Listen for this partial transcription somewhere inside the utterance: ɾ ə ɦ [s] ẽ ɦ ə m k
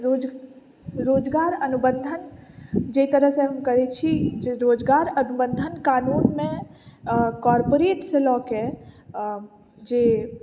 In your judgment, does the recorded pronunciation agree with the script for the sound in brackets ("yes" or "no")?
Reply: yes